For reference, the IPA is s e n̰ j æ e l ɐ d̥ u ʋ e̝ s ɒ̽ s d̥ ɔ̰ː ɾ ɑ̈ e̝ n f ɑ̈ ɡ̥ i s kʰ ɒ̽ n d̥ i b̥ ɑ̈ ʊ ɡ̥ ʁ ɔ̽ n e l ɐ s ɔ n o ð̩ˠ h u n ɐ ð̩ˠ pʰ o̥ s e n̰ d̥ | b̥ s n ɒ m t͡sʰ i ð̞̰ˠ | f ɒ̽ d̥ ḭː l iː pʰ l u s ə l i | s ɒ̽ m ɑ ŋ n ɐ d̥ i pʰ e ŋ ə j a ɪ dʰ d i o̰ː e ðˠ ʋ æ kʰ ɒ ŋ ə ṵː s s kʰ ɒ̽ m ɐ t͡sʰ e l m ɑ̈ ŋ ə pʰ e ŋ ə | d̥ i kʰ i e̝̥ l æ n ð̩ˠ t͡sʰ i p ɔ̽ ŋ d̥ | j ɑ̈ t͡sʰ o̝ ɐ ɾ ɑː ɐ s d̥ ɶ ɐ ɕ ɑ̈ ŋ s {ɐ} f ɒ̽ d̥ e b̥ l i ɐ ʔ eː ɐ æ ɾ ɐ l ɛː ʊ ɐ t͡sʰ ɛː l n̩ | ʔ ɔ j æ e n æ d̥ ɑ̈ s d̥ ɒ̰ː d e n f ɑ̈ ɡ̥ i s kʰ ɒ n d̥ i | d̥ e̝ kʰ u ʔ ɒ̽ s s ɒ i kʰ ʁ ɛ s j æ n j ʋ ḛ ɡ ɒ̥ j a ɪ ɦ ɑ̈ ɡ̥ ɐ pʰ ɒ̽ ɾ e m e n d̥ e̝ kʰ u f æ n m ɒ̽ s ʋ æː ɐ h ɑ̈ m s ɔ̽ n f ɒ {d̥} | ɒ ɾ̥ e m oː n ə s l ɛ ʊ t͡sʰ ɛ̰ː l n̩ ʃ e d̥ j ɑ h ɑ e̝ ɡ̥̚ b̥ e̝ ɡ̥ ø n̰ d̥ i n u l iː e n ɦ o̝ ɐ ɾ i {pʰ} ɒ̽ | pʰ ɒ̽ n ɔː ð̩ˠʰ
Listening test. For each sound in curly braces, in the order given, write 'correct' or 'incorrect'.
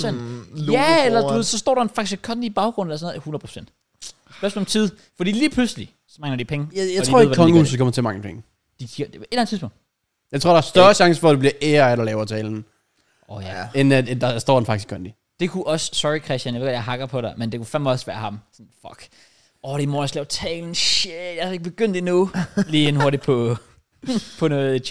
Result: incorrect: ə, incorrect: ɡ̥, correct

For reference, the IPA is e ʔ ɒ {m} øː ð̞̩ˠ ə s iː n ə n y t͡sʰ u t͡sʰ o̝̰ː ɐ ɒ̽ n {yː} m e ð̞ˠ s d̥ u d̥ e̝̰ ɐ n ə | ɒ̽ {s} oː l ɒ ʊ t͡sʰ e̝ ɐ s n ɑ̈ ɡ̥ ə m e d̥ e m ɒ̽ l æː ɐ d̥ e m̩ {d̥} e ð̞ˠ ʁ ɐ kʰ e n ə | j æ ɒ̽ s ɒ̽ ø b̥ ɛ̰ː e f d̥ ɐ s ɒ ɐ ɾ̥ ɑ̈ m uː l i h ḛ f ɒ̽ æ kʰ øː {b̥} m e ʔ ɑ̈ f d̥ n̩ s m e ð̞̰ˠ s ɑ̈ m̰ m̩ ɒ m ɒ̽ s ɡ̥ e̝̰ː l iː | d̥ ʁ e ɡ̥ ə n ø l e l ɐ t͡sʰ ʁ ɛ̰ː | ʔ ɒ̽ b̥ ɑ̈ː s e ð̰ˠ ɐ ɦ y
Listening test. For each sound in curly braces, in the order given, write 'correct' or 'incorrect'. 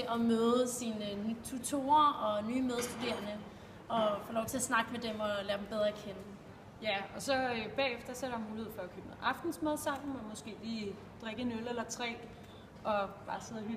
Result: correct, correct, incorrect: f, incorrect: b̥, correct

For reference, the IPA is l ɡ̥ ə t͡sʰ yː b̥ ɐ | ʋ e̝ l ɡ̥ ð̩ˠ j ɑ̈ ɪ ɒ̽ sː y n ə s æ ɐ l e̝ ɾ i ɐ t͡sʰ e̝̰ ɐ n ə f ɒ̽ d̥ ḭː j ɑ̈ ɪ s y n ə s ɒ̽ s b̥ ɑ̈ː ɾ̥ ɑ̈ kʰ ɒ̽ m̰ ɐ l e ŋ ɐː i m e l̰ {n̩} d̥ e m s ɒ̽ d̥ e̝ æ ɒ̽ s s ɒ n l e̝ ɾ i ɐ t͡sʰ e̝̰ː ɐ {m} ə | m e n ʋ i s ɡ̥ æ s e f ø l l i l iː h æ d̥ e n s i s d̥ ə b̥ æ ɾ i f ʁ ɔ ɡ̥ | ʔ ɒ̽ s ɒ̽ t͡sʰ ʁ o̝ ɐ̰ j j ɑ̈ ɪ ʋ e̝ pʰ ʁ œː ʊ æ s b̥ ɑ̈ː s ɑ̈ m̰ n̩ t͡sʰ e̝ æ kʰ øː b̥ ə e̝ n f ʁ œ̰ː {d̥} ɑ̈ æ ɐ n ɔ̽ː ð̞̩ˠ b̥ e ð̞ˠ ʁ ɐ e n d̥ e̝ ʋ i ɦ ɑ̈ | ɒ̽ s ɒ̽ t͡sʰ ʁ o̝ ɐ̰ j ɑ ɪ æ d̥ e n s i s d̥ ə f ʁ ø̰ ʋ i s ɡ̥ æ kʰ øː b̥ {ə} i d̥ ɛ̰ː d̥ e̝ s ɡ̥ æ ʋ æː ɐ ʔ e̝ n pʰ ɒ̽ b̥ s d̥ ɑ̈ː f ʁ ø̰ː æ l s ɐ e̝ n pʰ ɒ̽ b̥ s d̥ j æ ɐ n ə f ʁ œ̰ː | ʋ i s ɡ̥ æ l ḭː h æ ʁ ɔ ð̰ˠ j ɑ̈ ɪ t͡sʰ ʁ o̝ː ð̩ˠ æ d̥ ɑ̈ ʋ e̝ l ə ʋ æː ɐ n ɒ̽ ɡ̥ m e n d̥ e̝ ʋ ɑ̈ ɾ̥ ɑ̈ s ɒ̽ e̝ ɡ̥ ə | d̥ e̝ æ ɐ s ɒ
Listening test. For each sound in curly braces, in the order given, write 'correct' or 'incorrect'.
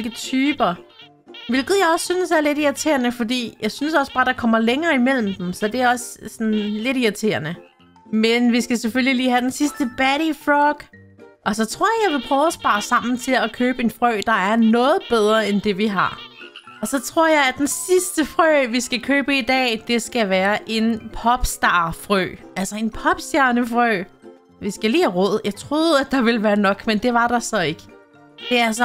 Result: incorrect: m̩, incorrect: n, correct, correct

